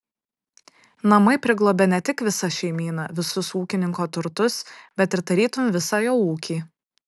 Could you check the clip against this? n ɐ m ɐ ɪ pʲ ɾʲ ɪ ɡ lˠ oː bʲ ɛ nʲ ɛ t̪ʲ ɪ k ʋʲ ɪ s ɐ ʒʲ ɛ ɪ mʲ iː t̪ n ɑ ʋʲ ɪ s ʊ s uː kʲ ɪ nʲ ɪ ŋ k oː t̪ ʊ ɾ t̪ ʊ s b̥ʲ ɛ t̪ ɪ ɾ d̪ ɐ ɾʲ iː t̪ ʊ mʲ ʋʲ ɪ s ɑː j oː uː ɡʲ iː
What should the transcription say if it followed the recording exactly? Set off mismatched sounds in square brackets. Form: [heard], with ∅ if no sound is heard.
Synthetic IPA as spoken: n ɐ m ɐ ɪ pʲ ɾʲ ɪ ɡ lˠ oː bʲ ɛ nʲ ɛ t̪ʲ ɪ k ʋʲ ɪ s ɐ [ʃʲ] ɛ ɪ mʲ iː [∅] n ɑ ʋʲ ɪ s ʊ s uː kʲ ɪ nʲ ɪ ŋ k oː t̪ ʊ ɾ t̪ ʊ s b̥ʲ ɛ t̪ ɪ ɾ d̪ ɐ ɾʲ iː t̪ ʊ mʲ ʋʲ ɪ s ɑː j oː uː [kʲ] iː